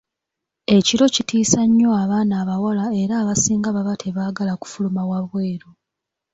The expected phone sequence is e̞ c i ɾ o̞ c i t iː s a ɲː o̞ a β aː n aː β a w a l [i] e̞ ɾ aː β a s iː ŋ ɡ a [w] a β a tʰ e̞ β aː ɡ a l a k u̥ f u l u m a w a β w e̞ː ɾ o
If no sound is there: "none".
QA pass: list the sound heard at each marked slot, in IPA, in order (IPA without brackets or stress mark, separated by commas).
a, β